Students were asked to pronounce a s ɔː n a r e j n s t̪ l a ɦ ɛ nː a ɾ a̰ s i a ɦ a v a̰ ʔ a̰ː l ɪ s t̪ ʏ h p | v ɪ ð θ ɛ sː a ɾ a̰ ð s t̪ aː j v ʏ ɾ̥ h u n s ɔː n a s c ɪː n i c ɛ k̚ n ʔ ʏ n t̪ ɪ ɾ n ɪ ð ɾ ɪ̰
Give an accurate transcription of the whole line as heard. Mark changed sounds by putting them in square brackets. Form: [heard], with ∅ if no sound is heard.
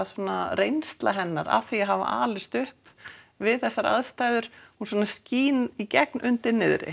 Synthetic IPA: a s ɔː n a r e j n s t̪ l a ɦ ɛ nː a ɾ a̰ [θ] i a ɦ a v a̰ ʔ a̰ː l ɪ s t̪ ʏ h p | v ɪ ð θ ɛ sː a ɾ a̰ ð s t̪ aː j [ð] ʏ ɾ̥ h u n s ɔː n a s c [iː] n i c ɛ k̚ n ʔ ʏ n t̪ ɪ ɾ n ɪ ð ɾ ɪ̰